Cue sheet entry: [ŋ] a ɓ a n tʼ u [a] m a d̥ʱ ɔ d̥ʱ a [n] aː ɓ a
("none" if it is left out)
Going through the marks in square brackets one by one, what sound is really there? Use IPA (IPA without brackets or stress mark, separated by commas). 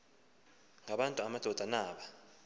ŋ, a, n